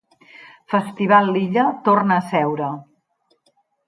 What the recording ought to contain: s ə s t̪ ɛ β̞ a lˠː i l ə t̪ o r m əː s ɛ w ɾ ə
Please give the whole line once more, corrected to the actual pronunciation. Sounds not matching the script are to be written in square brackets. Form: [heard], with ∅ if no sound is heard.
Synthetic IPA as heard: [f] ə s t̪ [i] β̞ a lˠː i [ʎ] ə t̪ o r [n] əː s ɛ w ɾ ə